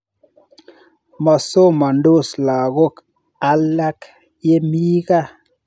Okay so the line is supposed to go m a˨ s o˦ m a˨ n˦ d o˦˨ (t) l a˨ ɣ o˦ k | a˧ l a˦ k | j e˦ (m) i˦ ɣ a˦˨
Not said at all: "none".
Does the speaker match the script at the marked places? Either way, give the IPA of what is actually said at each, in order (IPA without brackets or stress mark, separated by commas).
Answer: s, m